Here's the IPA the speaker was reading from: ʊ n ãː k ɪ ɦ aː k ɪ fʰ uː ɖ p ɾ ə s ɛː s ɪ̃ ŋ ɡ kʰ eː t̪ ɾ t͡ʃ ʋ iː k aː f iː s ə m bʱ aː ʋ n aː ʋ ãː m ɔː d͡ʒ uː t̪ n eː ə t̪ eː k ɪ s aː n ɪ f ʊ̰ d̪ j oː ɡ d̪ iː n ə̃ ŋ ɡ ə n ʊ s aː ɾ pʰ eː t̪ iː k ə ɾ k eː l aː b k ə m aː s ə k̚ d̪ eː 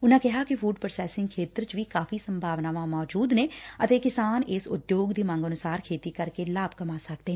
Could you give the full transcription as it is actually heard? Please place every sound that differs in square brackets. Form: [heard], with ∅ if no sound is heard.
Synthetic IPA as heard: ʊ n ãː k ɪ ɦ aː k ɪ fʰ uː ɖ p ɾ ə s ɛː s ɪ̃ ŋ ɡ kʰ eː t̪ ɾ t͡ʃ ʋ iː k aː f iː s ə m bʱ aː ʋ n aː ʋ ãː m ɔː d͡ʒ uː [d̪] n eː ə t̪ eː k ɪ s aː n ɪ [s] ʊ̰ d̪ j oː ɡ d̪ iː [m] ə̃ ŋ ɡ ə n ʊ s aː ɾ [kʰ] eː t̪ iː k ə ɾ k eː l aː b k ə m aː s ə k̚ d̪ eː